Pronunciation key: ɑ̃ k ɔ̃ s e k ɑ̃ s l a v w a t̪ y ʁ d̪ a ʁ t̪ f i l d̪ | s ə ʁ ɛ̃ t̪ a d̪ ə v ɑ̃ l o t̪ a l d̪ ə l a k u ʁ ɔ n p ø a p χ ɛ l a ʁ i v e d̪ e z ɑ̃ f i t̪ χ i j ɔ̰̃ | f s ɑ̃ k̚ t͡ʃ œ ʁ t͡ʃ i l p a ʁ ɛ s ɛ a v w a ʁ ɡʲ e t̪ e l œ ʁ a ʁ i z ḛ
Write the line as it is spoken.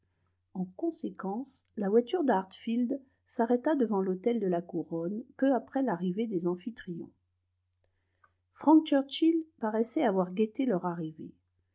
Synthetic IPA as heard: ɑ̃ k ɔ̃ s e k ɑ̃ s l a v w a t̪ y ʁ d̪ a ʁ t̪ f i l d̪ | s a ʁ ɛ t̪ a d̪ ə v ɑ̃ l o t̪ ɛ l d̪ ə l a k u ʁ ɔ n p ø a p χ ɛ l a ʁ i v e d̪ e z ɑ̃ f i t̪ χ i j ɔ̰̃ | f χ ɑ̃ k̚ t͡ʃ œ ʁ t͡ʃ i l p a ʁ ɛ s ɛ a v w a ʁ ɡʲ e t̪ e l œ ʁ a ʁ i v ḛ